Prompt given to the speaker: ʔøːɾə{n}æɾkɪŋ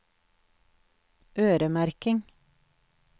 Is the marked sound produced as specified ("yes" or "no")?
no